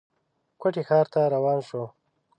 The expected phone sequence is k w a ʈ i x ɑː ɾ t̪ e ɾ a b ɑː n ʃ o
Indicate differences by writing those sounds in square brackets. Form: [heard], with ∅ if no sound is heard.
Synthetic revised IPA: k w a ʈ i x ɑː ɾ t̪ [a] ɾ a [w] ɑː n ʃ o